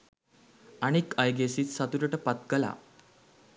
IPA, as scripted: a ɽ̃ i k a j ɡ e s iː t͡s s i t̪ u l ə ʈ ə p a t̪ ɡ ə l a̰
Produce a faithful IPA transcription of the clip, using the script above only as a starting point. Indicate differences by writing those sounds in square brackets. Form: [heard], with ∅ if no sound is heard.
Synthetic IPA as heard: a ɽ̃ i k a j ɡ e s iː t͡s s [a] t̪ u [ɾ] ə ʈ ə p a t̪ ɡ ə l a̰